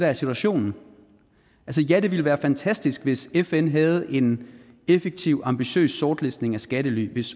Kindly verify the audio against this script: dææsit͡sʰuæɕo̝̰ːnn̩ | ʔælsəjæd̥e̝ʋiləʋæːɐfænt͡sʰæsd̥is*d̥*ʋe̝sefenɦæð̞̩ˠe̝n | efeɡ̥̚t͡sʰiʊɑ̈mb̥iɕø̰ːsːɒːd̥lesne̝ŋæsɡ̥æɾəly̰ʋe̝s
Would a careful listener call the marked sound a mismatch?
yes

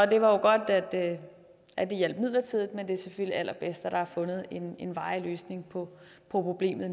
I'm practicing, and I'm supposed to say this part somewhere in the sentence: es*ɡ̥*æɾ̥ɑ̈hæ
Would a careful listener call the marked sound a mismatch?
yes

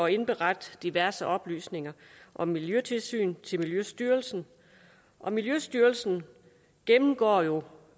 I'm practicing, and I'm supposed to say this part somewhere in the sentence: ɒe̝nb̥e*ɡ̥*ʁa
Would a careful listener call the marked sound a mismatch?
yes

